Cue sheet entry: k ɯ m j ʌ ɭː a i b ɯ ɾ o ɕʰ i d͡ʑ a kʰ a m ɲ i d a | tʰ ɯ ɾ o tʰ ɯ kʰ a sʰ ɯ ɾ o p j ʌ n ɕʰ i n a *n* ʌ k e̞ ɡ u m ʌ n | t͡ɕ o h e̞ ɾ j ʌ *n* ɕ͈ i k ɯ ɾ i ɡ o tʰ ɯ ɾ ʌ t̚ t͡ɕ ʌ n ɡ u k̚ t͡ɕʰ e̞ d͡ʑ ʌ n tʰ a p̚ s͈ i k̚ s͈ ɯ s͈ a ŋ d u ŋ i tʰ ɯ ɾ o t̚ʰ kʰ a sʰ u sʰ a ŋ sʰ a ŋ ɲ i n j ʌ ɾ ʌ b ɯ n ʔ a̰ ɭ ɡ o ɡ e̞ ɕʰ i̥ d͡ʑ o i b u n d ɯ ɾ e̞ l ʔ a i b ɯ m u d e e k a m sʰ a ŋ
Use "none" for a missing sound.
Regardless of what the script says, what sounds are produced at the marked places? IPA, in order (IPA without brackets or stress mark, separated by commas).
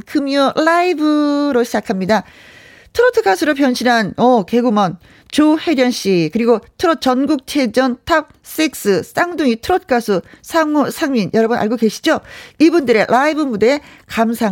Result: n, n